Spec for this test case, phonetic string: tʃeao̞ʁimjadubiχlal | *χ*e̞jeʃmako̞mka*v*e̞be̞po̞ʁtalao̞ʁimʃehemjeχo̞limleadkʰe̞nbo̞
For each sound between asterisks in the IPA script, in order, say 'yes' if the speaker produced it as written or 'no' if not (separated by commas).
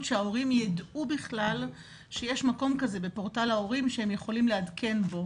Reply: no, no